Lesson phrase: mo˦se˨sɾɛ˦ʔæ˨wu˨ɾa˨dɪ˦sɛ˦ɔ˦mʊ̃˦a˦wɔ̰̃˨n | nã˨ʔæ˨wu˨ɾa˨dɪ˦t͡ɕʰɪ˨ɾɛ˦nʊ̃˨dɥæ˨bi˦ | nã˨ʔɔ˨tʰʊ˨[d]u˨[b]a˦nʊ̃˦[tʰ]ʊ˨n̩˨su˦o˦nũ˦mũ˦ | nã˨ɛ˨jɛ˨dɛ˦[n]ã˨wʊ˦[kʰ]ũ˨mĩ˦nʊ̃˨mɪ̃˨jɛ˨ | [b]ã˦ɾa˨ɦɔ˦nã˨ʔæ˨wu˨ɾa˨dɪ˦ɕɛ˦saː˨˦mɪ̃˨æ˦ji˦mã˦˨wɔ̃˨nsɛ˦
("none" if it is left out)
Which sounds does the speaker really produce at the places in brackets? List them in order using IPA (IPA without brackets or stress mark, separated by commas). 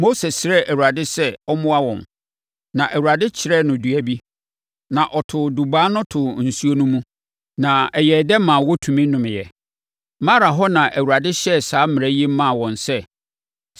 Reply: d, b, tʰ, m, tʰ, m